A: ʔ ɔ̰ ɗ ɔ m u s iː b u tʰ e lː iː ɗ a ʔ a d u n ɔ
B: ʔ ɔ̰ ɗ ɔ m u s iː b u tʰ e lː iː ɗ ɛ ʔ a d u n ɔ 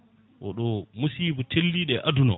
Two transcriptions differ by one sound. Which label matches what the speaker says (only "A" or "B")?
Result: B